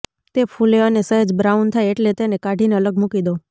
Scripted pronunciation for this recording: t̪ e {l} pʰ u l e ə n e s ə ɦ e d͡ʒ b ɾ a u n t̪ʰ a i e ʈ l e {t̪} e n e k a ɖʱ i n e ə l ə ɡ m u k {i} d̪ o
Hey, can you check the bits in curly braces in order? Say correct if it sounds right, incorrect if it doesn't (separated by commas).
incorrect, correct, correct